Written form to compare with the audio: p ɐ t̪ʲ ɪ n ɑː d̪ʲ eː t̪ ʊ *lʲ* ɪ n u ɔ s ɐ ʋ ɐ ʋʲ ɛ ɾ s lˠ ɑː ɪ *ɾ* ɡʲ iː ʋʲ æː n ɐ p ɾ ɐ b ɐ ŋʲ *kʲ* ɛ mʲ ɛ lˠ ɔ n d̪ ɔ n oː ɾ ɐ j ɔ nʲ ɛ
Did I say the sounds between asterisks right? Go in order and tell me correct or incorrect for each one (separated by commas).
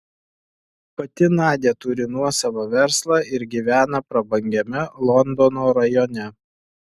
incorrect, correct, incorrect